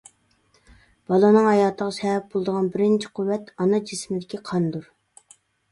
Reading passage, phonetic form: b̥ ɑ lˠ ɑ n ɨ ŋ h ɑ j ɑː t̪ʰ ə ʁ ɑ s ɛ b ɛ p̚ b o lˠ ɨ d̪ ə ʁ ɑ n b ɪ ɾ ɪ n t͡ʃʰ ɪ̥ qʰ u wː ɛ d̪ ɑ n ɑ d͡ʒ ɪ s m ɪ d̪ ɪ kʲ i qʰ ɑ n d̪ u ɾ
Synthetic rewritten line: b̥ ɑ lˠ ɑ n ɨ ŋ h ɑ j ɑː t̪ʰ ə ʁ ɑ s ɛ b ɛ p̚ b o lˠ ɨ d̪ ə ʁ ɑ n b ɪ ɾ ɪ n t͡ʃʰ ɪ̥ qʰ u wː ɛ t̪ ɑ n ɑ d͡ʒ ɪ s m ɪ d̪ ɪ kʲ i qʰ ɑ n d̪ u ɾ